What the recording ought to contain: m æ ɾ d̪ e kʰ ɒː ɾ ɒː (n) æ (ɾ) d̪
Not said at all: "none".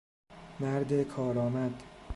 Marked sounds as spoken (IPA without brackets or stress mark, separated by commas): m, none